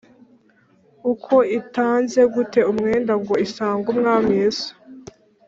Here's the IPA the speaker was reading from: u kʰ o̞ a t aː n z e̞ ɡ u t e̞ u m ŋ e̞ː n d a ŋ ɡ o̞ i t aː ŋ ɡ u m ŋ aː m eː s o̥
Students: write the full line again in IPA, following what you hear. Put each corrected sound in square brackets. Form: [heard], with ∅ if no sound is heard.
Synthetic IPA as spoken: u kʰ o̞ [i] t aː n z e̞ ɡ u t e̞ u m ŋ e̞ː n d a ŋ ɡ o̞ i [s] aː ŋ ɡ u m ŋ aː m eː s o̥